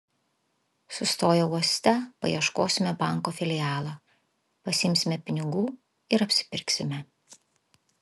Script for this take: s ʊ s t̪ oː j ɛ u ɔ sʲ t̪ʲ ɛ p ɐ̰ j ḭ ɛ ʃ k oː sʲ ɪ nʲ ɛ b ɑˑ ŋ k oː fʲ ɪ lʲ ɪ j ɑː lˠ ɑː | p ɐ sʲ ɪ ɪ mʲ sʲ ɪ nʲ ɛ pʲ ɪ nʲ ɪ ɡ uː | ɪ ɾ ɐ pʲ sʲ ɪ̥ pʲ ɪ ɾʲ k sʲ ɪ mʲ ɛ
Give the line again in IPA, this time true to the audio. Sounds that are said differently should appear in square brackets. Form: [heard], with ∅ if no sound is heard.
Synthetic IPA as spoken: s ʊ s t̪ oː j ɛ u ɔ sʲ t̪ʲ ɛ p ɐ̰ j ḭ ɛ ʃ k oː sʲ ɪ [mʲ] ɛ b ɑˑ ŋ k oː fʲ ɪ lʲ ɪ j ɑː lˠ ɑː | p ɐ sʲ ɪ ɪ mʲ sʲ ɪ [mʲ] ɛ pʲ ɪ nʲ ɪ ɡ uː | ɪ ɾ ɐ pʲ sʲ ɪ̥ pʲ ɪ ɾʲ k sʲ ɪ mʲ ɛ